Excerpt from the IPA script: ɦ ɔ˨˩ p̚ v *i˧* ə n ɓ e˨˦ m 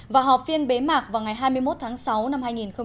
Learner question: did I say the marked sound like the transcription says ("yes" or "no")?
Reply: yes